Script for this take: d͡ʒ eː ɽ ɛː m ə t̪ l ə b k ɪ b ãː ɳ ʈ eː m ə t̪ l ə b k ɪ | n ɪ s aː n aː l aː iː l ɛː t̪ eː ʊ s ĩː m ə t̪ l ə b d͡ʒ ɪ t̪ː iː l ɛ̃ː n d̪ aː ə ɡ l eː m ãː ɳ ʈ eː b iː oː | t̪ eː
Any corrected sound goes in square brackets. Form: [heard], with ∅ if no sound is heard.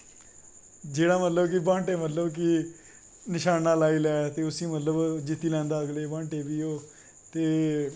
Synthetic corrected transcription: d͡ʒ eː ɽ [aː] m ə t̪ l ə b k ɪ b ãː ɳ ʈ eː m ə t̪ l ə b k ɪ | n ɪ [ʃ] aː n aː l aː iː l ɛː t̪ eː ʊ s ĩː m ə t̪ l ə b d͡ʒ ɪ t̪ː iː l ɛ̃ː n d̪ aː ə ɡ l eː [b] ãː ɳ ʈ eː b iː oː | t̪ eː

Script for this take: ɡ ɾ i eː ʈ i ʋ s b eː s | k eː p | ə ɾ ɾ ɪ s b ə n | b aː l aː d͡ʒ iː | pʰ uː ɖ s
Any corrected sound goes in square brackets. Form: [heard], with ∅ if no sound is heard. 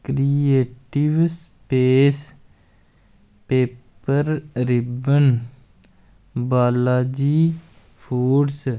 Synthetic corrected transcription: [k] ɾ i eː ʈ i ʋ s [p] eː s | [p] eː p | ə ɾ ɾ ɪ [∅] b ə n | b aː l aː d͡ʒ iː | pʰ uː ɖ s

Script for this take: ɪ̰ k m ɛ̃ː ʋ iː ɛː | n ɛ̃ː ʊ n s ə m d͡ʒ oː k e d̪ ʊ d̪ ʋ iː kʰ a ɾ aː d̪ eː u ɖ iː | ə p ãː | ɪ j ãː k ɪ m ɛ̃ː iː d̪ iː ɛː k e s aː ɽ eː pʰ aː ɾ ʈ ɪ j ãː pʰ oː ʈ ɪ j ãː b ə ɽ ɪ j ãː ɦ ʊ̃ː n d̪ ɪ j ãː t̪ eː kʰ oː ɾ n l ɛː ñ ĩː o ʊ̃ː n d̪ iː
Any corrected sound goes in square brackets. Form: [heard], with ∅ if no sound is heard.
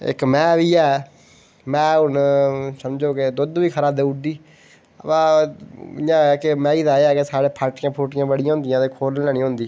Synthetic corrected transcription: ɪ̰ k m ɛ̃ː ʋ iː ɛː | [m] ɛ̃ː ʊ n s ə m d͡ʒ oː k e d̪ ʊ d̪ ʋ iː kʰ [ə] ɾ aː d̪ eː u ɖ iː | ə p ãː | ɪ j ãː k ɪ m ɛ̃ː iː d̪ [aː] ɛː k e s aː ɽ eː pʰ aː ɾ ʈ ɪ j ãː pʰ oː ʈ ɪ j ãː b ə ɽ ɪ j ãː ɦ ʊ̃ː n d̪ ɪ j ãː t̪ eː kʰ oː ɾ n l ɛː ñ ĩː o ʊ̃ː n d̪ iː

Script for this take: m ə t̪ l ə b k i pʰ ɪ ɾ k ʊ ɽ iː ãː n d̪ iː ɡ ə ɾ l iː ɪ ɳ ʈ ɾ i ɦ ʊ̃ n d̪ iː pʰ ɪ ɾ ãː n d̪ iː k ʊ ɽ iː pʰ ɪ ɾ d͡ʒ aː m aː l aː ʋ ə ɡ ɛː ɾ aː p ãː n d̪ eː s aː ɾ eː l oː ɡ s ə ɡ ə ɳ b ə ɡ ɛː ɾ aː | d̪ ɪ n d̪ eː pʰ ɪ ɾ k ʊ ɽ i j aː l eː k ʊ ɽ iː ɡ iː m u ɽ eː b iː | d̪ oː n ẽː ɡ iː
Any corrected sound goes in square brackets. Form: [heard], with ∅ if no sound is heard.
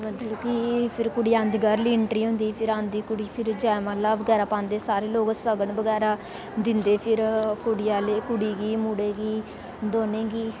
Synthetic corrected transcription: m ə t̪ l ə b k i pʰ ɪ ɾ k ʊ ɽ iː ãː n d̪ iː ɡ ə ɾ l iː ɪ ɳ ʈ ɾ [iː] ɦ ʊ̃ n d̪ iː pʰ ɪ ɾ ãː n d̪ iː k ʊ ɽ iː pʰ ɪ ɾ d͡ʒ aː m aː l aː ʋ ə ɡ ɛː ɾ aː p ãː n d̪ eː s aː ɾ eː l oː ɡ s ə ɡ ə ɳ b ə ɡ ɛː ɾ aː | d̪ ɪ n d̪ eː pʰ ɪ ɾ k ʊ ɽ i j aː l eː k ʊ ɽ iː ɡ iː m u ɽ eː [ɡ] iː | d̪ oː n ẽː ɡ iː

